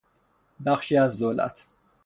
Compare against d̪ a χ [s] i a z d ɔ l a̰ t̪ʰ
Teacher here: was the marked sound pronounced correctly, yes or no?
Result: no